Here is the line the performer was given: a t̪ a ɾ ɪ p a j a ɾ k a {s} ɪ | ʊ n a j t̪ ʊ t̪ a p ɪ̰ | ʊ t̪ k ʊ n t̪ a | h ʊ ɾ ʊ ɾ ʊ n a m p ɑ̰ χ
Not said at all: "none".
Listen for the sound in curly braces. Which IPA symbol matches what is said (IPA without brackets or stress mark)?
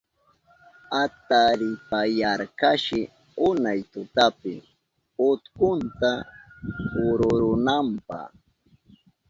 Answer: ʃ